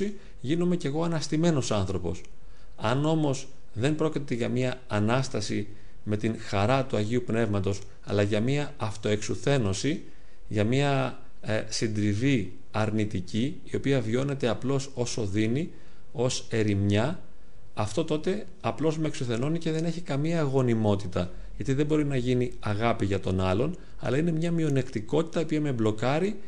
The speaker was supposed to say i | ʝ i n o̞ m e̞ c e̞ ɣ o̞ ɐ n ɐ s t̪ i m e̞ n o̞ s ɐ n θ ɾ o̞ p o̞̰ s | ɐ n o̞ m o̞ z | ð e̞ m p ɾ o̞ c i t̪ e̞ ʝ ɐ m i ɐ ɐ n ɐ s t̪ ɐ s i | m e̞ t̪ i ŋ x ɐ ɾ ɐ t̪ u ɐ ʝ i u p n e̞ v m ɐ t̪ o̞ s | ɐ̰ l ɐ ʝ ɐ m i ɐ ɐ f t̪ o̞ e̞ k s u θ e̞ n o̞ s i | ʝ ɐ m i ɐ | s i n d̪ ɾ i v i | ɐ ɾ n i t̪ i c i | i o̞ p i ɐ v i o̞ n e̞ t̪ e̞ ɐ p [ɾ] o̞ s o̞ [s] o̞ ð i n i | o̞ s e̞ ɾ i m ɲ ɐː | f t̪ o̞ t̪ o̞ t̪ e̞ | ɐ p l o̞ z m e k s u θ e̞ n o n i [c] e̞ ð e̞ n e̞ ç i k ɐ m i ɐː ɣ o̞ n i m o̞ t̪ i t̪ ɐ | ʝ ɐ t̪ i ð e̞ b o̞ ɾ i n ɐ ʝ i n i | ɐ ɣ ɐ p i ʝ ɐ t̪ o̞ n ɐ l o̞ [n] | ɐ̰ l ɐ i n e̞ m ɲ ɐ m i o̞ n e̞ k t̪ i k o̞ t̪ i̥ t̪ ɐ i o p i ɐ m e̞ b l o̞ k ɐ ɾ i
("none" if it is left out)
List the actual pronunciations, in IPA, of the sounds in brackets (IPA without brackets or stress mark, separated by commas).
l, s, c, n